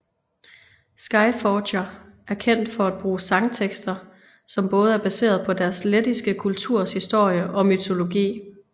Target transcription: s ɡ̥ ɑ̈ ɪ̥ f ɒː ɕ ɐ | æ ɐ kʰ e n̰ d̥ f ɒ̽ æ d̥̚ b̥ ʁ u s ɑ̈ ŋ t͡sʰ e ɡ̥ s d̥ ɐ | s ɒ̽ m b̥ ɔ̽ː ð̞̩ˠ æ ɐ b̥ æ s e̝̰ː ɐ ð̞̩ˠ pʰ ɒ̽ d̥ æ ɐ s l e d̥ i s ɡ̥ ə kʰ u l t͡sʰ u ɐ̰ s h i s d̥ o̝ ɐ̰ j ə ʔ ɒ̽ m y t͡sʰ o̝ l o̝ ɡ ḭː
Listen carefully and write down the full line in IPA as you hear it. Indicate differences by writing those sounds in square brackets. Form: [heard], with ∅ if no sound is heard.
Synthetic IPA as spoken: s ɡ̥ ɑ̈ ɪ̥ f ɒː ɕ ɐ | æ ɐ kʰ e n̰ d̥ f ɒ̽ æ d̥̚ b̥ ʁ [uː] s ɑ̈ ŋ t͡sʰ e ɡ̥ s d̥ ɐ | s ɒ̽ m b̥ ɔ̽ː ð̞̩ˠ æ ɐ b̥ æ s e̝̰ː ɐ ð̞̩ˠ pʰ ɒ̽ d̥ æ ɐ s l e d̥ i s ɡ̥ ə kʰ u l t͡sʰ u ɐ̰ s h i s d̥ o̝ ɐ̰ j ə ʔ ɒ̽ m y t͡sʰ o̝ l o̝ ɡ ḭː